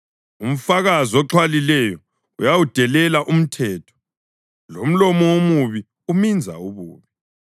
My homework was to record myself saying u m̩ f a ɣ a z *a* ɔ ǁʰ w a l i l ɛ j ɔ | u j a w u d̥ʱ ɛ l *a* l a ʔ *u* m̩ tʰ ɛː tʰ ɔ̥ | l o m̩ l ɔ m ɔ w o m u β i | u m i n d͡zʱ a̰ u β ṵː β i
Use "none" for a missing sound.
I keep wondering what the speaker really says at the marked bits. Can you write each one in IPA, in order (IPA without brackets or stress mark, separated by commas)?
i, ɛ, u